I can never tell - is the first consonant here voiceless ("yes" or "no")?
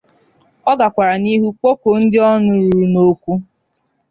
no